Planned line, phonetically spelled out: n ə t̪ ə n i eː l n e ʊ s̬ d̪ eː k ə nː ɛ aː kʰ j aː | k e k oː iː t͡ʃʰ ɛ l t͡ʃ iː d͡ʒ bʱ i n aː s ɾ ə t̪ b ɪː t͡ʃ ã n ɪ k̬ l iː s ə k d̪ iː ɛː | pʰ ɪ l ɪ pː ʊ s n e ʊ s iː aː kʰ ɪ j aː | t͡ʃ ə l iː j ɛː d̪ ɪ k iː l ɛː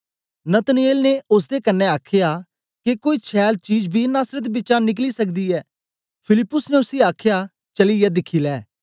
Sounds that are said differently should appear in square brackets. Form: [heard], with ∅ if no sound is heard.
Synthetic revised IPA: n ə t̪ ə n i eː l n e ʊ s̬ d̪ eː k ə nː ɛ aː kʰ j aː | k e k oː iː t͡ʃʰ [ɛː] l t͡ʃ iː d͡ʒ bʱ i n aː s ɾ ə t̪ b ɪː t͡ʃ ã n ɪ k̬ l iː s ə k d̪ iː ɛː | pʰ ɪ l ɪ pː ʊ s n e ʊ s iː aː kʰ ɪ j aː | t͡ʃ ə l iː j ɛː d̪ ɪ [kʰ] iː l ɛː